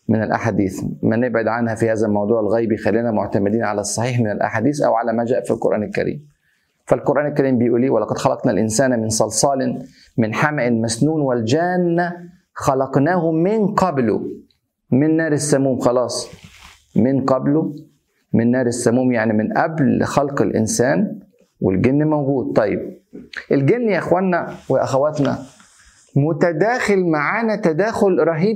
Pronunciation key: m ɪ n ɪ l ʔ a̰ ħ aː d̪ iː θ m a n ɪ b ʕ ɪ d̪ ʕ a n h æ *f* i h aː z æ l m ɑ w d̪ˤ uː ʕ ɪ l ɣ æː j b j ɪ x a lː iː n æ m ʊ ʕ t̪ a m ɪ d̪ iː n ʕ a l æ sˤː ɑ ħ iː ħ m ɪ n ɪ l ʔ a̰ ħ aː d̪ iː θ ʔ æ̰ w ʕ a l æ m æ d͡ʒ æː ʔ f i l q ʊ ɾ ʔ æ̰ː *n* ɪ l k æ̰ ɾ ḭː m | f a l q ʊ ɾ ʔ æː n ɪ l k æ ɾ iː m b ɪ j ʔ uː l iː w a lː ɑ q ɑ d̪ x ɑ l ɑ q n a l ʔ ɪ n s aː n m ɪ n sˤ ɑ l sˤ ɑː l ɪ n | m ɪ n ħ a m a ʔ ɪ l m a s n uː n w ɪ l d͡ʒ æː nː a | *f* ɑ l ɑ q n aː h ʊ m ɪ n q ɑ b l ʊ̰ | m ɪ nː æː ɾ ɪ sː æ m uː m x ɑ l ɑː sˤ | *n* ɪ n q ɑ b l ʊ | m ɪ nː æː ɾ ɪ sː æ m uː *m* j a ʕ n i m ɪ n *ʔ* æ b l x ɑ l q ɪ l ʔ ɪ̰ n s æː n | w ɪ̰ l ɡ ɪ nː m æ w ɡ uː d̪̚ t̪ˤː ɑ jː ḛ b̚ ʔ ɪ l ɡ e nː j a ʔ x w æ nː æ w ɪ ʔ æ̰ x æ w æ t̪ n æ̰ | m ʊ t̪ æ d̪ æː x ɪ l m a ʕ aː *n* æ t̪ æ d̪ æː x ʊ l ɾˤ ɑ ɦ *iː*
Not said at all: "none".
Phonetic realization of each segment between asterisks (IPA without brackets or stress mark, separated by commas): f, n, x, m, m, ʔ, n, iː